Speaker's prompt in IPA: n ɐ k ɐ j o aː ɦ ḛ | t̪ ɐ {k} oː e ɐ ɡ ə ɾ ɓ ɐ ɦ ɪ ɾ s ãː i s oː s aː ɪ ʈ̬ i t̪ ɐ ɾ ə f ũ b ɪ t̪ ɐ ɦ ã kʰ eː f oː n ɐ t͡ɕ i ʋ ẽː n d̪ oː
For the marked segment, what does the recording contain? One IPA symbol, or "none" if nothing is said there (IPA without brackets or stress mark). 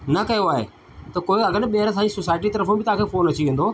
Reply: k